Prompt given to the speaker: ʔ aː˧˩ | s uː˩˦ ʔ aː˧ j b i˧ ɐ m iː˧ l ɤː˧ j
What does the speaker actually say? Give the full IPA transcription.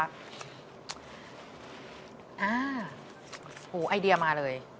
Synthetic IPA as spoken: ʔ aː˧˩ | h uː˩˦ ʔ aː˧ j d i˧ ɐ m aː˧ l ɤː˧ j

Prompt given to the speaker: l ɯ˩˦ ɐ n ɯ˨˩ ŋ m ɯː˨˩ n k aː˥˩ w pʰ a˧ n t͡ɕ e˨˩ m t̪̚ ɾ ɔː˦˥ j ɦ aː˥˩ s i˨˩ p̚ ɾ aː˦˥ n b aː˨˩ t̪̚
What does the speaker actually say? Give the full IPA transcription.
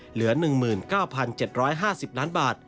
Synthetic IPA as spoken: l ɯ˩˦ ɐ n ɯ˨˩ ŋ m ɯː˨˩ n k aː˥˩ w pʰ a˧ n t͡ɕ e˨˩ t̪̚ ɾ ɔː˦˥ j ɦ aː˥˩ s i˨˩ p̚ l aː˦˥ n b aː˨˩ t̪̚

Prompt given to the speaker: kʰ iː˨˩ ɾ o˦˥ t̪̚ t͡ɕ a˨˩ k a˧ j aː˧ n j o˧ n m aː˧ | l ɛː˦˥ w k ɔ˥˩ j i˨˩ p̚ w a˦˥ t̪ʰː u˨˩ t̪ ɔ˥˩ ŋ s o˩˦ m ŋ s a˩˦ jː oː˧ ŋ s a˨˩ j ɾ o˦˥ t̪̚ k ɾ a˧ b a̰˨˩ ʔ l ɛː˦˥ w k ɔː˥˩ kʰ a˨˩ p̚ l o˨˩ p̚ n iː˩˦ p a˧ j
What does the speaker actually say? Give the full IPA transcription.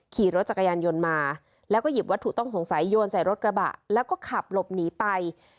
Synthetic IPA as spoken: kʰ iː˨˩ ɾ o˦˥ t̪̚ t͡ɕ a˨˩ k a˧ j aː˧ n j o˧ n m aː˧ | l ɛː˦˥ w k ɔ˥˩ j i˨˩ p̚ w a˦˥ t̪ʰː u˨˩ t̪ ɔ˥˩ ŋ s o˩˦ ŋ s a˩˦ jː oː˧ n s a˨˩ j ɾ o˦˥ t̪̚ k ɾ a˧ b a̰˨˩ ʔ l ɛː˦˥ w k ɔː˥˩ kʰ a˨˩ p̚ l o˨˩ p̚ n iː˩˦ p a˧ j

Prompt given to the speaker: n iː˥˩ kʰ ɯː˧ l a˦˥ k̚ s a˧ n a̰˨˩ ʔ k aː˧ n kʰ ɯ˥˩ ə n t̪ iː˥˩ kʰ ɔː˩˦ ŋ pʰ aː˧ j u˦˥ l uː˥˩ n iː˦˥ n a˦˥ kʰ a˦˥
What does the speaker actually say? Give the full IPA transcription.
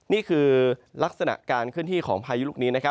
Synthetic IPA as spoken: n iː˥˩ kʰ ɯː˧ l a˦˥ k̚ s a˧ n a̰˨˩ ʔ k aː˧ n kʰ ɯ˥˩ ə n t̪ iː˥˩ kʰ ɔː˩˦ ŋ pʰ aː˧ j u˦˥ l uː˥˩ n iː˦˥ n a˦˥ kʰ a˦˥

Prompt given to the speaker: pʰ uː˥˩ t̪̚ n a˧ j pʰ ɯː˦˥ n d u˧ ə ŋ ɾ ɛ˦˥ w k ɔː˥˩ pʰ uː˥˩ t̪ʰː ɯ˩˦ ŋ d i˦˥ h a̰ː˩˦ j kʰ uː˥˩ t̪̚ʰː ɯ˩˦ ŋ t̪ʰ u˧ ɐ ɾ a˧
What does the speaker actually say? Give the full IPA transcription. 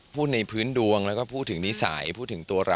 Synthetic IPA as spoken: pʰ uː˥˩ t̪̚ n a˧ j pʰ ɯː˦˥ n d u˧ ə ŋ l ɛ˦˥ w k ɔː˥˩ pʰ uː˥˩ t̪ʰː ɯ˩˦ ŋ n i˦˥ s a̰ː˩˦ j pʰ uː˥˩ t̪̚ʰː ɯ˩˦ ŋ t̪ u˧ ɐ ɾ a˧

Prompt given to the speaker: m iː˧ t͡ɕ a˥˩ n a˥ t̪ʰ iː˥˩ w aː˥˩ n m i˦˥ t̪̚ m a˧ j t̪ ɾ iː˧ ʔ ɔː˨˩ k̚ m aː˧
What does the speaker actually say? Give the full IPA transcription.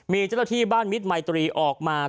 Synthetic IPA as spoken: m iː˧ t͡ɕ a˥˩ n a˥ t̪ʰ iː˥˩ b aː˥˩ n m i˦˥ t̪̚ m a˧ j t̪ ɾ iː˧ ʔ ɔː˨˩ k̚ m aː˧

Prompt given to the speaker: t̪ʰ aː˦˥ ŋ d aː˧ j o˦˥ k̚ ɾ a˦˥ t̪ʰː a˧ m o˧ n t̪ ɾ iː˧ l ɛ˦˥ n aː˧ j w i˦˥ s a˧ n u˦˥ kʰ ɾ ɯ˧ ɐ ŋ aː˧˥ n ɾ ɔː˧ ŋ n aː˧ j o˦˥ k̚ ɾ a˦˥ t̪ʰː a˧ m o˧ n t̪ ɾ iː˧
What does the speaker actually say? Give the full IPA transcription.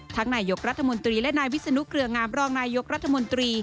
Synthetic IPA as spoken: t̪ʰ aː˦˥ ŋ n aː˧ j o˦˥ k̚ ɾ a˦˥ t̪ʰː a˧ m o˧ n t̪ ɾ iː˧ l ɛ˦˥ n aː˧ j w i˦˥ s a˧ n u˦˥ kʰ ɾ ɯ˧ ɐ ŋ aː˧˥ m ɾ ɔː˧ ŋ n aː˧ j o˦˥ k̚ ɾ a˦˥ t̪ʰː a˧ m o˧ n t̪ ɾ iː˧

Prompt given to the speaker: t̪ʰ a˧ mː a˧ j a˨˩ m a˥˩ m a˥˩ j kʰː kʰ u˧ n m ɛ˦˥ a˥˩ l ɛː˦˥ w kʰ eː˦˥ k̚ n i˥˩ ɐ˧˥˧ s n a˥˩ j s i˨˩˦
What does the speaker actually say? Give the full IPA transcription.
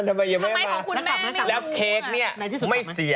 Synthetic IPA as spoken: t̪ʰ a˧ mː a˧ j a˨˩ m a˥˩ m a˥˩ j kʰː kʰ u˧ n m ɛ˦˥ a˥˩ l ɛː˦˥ w kʰ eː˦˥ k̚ n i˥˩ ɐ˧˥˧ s m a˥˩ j s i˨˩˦

